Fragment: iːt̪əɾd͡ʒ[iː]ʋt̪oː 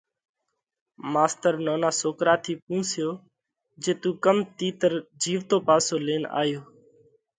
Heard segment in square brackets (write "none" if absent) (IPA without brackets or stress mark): iː